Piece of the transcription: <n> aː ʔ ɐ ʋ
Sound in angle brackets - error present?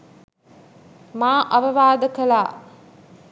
yes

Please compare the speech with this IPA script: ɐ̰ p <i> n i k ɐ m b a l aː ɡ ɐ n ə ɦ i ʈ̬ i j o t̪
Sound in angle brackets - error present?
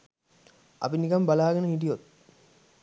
no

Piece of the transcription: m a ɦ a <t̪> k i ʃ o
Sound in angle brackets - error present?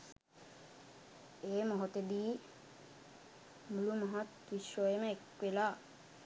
no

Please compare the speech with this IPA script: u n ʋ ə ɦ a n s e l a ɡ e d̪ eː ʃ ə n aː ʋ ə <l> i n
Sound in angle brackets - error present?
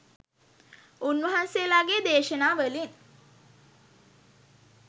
no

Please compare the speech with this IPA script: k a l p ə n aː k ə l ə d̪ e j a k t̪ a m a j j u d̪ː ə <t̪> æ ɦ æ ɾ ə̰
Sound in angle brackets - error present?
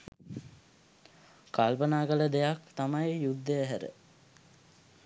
yes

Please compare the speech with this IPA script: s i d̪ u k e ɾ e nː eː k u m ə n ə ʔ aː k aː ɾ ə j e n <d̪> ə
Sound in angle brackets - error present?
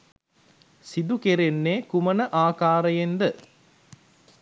no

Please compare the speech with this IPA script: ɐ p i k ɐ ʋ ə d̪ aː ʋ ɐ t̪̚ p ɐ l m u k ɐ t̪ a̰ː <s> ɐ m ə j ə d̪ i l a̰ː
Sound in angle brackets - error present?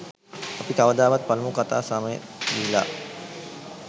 no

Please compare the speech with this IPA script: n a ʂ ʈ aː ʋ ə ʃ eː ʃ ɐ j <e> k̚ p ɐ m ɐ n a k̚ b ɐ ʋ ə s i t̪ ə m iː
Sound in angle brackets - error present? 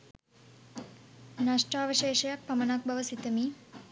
yes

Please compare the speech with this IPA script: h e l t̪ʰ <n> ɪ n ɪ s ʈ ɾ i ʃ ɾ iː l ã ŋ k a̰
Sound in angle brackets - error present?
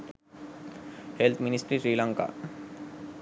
yes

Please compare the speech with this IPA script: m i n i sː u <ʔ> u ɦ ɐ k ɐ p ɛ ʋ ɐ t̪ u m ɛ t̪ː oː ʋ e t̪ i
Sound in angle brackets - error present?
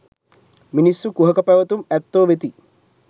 yes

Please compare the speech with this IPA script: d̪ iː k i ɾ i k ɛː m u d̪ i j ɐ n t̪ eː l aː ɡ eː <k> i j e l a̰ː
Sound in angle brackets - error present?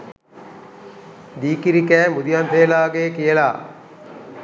no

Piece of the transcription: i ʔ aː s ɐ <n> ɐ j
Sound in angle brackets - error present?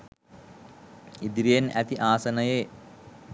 no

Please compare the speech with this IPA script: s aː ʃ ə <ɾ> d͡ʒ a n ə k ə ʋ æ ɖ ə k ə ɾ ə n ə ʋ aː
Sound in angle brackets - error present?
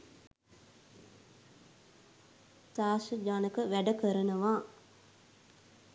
yes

